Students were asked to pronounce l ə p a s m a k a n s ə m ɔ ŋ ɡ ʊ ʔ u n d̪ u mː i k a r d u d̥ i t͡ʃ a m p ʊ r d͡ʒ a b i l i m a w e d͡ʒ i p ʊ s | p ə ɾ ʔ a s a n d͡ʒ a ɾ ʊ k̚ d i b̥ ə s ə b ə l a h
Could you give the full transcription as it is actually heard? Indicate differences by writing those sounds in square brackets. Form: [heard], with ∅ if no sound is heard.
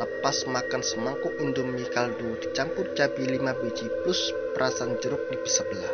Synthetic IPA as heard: l ə p a s m a k a n s ə m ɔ ŋ [k] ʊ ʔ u n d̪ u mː i k a [l] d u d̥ i t͡ʃ a m p ʊ r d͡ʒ a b i l i m a [b] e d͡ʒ i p ʊ s | p ə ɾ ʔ a s a n d͡ʒ [ə] ɾ ʊ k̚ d i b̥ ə s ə b ə l a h